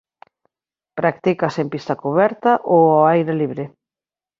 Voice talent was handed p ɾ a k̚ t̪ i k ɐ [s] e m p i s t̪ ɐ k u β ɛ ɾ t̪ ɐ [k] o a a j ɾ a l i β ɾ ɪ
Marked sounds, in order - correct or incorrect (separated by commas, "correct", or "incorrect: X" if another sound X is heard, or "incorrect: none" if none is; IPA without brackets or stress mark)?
correct, incorrect: ʔ